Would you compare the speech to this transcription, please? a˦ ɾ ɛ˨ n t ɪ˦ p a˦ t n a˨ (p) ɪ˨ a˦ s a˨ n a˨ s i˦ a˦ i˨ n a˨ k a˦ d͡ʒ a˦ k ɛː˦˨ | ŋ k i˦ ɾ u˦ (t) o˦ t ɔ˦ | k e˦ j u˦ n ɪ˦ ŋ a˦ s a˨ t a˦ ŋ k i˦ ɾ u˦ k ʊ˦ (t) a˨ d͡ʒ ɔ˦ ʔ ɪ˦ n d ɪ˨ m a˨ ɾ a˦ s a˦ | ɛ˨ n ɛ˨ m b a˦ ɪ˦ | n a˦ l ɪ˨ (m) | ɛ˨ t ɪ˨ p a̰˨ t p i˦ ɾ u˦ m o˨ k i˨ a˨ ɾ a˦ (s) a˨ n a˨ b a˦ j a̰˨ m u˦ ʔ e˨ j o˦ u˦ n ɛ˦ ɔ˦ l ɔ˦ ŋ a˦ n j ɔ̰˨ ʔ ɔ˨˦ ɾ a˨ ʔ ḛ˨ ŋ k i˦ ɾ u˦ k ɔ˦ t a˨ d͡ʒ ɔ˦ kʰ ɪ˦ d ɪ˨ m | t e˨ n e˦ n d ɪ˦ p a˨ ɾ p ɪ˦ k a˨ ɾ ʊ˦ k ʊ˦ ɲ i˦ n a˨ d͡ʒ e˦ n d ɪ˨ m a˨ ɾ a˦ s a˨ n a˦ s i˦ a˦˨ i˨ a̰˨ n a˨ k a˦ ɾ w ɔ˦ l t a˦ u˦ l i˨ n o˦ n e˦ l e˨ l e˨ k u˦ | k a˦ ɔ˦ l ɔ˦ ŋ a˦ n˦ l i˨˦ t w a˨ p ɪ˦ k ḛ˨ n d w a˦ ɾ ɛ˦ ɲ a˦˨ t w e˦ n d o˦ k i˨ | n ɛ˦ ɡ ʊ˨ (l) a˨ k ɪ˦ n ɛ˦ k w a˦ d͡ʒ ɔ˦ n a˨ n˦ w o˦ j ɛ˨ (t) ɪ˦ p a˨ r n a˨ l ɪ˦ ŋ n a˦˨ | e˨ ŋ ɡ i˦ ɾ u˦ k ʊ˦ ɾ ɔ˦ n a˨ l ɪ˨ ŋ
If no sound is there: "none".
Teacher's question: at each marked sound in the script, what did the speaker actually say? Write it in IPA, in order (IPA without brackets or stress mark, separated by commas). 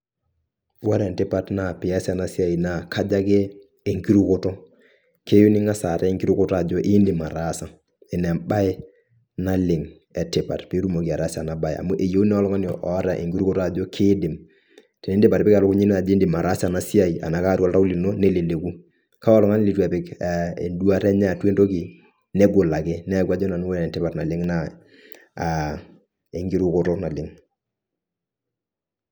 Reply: p, k, t, ŋ, s, l, t